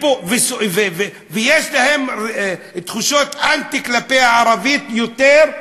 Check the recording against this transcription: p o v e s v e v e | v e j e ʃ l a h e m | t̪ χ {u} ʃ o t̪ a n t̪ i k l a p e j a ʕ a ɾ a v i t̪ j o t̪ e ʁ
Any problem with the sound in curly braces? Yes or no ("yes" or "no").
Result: no